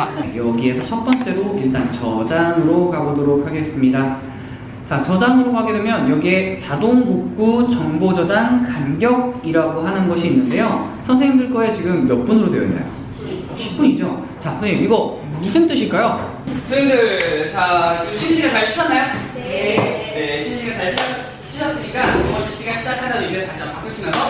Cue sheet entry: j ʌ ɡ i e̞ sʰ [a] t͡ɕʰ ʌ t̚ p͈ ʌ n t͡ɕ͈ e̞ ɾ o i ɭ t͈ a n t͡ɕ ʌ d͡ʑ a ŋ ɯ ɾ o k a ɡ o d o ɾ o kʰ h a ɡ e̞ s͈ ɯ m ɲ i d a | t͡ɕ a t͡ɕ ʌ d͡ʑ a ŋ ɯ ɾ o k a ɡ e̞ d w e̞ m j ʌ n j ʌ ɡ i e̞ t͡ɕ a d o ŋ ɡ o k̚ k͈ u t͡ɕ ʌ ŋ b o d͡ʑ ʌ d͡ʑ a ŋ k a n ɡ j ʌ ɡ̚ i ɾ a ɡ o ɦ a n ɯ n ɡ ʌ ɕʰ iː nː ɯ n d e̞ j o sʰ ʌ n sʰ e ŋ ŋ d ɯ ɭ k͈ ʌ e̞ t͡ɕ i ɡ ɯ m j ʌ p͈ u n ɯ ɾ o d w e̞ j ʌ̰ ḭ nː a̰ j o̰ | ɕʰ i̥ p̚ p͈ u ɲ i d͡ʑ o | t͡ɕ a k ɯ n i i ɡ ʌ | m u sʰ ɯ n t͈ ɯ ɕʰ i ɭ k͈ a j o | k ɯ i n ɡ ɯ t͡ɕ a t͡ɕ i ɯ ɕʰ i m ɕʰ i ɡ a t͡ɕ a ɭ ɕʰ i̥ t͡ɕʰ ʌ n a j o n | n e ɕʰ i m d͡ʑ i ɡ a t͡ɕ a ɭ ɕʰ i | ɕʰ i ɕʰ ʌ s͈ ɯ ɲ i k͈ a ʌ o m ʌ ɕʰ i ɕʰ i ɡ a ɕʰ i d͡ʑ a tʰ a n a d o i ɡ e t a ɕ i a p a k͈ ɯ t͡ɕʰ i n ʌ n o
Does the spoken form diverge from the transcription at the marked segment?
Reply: yes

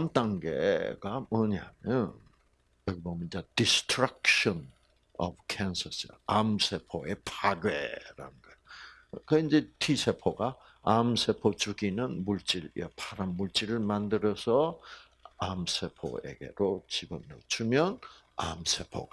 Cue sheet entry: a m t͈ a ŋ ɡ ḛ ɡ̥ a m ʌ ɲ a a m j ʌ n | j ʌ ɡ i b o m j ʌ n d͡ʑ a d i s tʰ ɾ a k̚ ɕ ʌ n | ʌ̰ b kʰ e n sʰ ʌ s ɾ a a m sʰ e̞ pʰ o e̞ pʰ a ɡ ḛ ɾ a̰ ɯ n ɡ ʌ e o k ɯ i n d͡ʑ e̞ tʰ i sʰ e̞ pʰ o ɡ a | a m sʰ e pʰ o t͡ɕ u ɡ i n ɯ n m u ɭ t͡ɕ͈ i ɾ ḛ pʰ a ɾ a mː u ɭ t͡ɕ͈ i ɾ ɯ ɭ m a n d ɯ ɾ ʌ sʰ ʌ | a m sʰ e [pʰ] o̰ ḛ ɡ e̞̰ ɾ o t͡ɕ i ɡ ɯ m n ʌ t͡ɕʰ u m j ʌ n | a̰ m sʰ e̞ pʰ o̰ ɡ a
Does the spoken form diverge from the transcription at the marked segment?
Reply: no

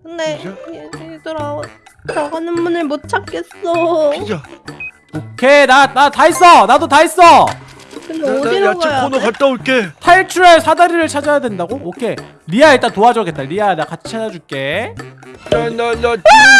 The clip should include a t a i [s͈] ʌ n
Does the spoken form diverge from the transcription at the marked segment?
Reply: no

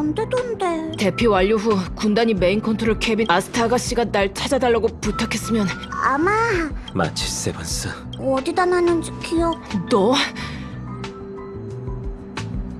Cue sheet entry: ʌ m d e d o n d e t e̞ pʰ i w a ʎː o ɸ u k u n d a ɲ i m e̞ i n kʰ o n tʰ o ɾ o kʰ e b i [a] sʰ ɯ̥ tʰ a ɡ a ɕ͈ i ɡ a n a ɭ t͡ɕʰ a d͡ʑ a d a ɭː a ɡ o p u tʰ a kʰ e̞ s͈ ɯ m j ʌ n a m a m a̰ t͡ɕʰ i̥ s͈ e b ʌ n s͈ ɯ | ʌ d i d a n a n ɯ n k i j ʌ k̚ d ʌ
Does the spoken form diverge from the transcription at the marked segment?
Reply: no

